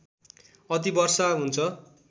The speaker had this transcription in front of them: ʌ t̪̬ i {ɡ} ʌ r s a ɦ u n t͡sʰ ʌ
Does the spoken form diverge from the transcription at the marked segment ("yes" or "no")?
yes